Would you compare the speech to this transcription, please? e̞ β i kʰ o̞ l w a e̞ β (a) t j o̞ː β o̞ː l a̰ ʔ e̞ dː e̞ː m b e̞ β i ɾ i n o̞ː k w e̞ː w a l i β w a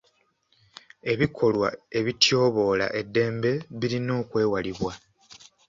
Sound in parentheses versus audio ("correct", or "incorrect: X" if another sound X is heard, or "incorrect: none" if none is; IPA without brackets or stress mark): incorrect: i